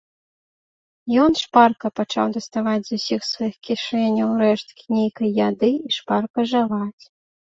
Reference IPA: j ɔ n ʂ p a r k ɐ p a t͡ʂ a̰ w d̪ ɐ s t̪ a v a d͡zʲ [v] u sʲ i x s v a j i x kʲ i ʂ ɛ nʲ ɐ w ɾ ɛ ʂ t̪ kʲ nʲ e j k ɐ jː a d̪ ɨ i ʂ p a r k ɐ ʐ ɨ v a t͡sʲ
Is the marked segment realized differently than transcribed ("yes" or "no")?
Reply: yes